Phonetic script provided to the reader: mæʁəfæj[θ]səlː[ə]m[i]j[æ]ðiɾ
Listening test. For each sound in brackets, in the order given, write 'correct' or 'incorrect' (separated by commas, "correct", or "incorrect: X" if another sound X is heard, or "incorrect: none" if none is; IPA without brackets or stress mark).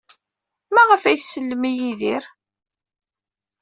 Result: correct, correct, correct, incorrect: i